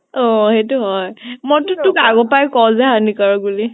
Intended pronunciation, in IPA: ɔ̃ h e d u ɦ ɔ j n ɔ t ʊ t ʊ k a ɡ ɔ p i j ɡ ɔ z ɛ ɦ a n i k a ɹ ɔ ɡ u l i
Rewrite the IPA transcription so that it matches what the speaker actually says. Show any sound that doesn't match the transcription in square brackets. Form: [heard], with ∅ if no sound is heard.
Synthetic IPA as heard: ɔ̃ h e [t] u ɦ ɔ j [m] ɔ t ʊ t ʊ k a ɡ ɔ p [a] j [k] ɔ z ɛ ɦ a n i k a ɹ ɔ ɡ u l i